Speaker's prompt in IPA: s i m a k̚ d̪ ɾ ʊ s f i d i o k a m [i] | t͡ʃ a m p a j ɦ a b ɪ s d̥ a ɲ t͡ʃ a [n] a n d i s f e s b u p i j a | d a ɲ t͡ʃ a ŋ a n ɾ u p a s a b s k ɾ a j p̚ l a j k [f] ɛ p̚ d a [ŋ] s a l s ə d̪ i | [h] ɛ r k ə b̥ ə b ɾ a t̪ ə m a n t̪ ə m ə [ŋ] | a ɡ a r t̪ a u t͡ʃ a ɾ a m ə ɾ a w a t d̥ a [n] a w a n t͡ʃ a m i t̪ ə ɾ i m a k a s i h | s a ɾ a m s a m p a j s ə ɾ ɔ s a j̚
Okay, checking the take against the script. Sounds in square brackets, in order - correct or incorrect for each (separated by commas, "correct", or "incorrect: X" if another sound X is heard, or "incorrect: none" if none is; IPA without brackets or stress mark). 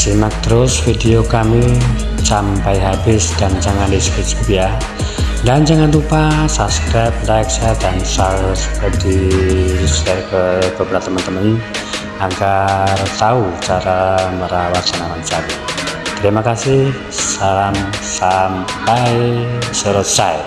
correct, incorrect: ŋ, incorrect: s, incorrect: n, incorrect: s, incorrect: n, correct